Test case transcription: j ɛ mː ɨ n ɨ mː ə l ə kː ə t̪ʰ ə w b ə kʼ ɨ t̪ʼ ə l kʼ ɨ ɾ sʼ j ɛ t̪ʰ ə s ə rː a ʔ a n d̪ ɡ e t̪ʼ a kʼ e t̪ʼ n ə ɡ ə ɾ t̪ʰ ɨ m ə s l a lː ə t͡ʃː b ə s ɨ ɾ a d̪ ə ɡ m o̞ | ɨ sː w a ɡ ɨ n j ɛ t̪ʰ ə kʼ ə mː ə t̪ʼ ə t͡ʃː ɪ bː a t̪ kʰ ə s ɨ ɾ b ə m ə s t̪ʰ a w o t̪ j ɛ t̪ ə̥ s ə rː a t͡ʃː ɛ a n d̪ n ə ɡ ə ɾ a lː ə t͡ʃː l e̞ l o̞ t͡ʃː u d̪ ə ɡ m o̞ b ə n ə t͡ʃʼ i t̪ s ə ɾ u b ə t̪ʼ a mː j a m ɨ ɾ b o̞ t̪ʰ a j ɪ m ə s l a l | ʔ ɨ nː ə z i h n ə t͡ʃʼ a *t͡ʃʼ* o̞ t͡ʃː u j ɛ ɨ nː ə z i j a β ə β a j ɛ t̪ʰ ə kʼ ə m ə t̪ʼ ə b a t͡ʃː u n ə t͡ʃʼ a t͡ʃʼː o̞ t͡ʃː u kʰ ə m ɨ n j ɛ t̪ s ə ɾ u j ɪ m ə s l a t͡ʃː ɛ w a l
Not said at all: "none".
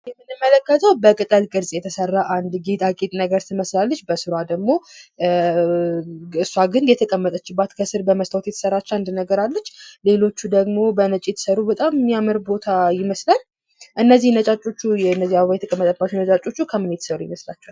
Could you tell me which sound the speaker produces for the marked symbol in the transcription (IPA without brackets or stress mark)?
t͡ʃʼ